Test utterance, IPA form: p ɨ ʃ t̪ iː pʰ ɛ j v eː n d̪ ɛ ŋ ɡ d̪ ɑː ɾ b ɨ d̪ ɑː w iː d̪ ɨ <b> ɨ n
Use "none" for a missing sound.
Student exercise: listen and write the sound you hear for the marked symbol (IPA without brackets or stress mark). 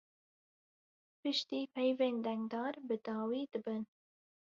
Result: b